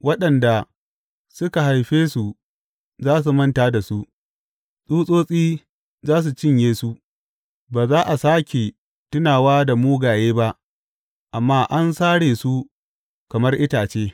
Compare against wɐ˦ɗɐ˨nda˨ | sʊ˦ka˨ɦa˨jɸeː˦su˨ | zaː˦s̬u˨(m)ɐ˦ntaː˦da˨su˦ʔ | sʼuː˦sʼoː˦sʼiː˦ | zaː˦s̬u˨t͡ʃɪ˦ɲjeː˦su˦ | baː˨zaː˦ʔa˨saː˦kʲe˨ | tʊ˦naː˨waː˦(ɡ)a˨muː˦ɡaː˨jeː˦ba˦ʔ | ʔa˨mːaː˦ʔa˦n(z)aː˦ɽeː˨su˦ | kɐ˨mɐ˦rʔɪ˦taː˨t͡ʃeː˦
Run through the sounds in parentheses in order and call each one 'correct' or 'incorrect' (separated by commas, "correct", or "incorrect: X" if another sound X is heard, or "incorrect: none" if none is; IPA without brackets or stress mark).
correct, incorrect: d, incorrect: s